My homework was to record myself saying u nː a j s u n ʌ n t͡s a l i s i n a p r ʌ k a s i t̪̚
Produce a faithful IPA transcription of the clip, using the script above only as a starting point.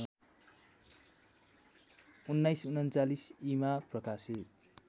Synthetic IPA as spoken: u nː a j s u n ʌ n t͡s a l i s i m a p r ʌ k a s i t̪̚